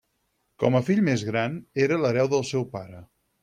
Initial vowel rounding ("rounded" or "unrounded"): rounded